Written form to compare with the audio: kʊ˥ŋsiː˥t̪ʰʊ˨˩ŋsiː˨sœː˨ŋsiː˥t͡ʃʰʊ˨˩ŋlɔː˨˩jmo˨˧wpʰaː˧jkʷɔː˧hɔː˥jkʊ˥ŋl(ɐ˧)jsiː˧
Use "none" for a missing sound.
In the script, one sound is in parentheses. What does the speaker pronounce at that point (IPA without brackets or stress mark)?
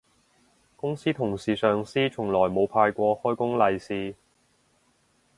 ɐ˧